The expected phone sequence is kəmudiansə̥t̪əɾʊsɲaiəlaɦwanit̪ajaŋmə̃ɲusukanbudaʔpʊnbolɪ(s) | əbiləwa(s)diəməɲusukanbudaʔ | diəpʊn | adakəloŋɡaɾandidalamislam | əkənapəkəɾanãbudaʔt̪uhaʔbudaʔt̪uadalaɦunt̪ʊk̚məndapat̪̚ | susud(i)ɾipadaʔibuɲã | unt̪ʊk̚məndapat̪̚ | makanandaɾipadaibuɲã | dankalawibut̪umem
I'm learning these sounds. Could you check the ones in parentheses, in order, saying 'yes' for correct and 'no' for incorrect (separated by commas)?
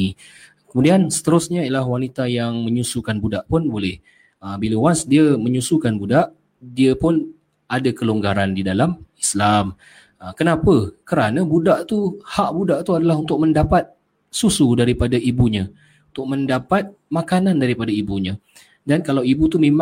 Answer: no, yes, no